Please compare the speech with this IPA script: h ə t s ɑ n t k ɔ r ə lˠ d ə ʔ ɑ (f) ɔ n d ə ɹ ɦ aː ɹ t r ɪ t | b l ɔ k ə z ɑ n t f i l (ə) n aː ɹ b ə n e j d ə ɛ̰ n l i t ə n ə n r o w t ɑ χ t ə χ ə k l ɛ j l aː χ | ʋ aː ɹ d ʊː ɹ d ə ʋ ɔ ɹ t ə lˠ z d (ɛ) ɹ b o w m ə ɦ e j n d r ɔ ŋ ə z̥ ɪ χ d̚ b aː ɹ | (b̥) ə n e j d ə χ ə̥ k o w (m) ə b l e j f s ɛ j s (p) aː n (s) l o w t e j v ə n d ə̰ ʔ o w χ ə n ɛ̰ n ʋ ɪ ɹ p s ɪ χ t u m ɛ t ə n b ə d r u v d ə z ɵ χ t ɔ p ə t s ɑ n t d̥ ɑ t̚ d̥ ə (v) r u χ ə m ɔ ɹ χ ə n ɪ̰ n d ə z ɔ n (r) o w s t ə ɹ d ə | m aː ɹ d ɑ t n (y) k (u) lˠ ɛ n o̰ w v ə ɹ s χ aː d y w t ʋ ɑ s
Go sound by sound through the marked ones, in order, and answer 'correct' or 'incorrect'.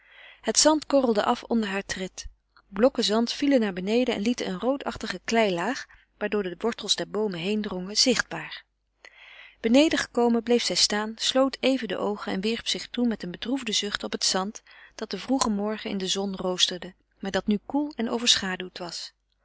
correct, correct, correct, correct, correct, incorrect, correct, correct, correct, correct, correct

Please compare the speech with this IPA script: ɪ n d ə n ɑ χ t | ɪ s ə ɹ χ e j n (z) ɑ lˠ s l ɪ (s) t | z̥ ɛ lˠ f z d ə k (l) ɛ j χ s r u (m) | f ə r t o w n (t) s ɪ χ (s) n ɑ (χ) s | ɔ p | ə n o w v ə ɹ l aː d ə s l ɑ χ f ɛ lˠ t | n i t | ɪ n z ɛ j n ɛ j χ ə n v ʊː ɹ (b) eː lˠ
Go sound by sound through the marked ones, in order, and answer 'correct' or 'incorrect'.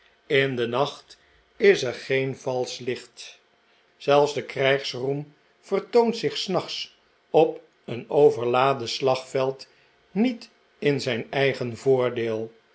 incorrect, incorrect, incorrect, correct, correct, correct, correct, incorrect

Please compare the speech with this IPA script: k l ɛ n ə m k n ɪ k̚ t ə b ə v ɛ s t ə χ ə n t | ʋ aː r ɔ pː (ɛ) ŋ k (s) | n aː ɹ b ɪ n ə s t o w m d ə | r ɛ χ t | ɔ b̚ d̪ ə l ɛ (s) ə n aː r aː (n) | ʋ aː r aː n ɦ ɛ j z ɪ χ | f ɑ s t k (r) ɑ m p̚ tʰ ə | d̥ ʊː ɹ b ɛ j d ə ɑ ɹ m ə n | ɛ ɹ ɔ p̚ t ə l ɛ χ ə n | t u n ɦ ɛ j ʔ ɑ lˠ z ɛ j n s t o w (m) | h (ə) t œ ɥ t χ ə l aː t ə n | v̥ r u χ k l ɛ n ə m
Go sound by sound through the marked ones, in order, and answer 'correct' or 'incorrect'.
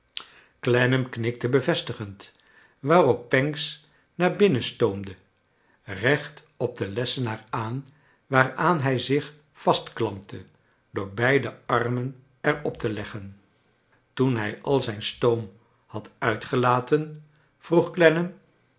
correct, correct, correct, correct, incorrect, correct, incorrect

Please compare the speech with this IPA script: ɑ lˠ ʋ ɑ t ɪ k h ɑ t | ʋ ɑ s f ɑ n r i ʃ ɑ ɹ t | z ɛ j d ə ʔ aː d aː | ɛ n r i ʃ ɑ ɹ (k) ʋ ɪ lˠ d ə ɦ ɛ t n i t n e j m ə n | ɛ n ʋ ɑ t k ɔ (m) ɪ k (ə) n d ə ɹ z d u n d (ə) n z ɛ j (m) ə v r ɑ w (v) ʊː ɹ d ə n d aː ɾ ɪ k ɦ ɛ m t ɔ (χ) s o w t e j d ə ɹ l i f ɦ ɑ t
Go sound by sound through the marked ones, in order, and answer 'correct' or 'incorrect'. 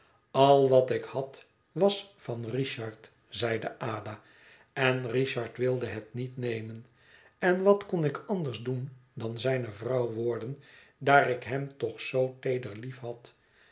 incorrect, incorrect, incorrect, incorrect, incorrect, incorrect, correct

